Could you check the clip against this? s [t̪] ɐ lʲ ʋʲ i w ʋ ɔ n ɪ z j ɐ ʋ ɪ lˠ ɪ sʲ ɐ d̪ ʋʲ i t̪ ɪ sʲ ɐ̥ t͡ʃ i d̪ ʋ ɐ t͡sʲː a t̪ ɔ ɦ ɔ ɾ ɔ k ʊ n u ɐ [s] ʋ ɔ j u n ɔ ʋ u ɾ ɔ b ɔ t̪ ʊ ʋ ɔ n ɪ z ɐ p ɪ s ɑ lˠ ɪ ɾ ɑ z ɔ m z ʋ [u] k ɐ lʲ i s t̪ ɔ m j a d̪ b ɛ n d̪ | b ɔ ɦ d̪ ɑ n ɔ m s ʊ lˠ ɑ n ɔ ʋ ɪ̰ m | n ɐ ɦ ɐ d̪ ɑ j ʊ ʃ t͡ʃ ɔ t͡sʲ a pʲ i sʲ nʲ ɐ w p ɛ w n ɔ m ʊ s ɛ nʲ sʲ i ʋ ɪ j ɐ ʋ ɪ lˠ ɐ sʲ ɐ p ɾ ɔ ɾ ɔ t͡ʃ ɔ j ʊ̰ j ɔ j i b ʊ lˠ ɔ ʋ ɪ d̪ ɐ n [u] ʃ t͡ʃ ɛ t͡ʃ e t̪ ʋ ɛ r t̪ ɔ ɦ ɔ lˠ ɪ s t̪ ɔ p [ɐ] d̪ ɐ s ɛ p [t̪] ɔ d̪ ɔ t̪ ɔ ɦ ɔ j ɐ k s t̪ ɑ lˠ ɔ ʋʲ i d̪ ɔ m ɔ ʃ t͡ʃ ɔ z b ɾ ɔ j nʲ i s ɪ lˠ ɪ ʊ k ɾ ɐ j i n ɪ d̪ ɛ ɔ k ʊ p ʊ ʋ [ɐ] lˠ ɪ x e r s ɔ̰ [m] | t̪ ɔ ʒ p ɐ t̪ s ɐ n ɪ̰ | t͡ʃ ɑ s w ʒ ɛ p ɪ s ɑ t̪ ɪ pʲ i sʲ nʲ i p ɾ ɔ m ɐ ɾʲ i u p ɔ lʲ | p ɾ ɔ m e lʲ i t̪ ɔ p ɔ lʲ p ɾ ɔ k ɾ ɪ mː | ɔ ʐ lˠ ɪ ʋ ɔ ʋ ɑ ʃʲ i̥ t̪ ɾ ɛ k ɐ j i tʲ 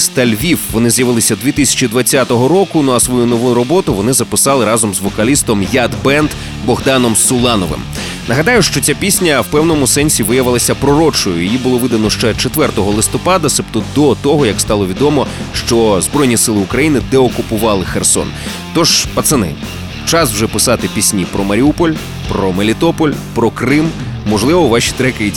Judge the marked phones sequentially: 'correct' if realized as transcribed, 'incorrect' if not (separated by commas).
correct, correct, incorrect, incorrect, incorrect, correct, incorrect, incorrect